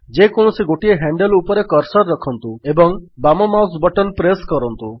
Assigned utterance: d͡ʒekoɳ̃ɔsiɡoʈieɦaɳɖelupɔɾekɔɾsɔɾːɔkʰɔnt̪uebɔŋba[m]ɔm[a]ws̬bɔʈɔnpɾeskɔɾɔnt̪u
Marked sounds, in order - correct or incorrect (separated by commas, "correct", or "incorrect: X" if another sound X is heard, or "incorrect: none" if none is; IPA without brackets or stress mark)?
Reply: correct, correct